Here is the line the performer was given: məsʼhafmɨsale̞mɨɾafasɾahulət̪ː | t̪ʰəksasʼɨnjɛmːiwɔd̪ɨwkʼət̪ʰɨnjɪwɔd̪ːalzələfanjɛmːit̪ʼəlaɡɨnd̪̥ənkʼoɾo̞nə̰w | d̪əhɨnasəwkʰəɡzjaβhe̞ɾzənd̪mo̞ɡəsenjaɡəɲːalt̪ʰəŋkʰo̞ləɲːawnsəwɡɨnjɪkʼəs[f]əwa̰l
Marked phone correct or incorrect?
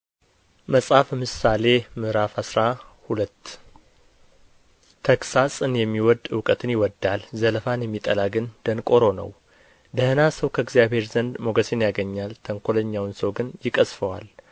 correct